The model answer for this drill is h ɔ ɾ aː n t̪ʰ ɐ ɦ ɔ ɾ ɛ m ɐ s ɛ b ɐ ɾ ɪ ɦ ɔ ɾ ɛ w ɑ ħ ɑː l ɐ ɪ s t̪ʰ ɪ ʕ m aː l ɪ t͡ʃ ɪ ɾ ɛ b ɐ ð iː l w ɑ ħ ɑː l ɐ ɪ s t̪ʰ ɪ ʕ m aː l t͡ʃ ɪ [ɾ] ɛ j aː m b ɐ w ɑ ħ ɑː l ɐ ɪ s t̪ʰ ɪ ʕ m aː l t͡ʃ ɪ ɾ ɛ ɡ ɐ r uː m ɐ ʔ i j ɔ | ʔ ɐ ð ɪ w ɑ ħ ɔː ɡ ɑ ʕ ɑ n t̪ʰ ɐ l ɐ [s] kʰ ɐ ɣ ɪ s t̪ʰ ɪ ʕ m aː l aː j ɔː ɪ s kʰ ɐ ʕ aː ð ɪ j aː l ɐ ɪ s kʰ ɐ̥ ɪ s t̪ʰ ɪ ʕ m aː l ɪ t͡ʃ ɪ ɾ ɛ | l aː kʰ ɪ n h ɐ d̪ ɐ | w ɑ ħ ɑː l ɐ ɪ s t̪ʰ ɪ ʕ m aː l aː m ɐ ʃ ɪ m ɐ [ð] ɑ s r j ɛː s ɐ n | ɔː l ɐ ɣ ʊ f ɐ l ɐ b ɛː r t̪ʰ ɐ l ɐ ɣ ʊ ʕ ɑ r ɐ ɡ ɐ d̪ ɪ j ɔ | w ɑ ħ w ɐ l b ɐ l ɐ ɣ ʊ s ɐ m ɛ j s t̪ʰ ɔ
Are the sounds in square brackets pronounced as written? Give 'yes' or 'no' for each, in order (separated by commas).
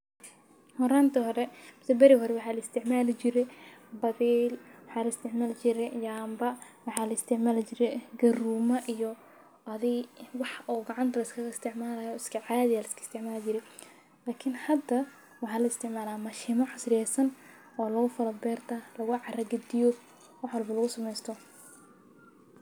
yes, yes, no